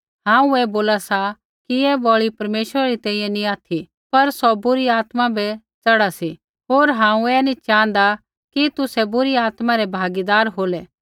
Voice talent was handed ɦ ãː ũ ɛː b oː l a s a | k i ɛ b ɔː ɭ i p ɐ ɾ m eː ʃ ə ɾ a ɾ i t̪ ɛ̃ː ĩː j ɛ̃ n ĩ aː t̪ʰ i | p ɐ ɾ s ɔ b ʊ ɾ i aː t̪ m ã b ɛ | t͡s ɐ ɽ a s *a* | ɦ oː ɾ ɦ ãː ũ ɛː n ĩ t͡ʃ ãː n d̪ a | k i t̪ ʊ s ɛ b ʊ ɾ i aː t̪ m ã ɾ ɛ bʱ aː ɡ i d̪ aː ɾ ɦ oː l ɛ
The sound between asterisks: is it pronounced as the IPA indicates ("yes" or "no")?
no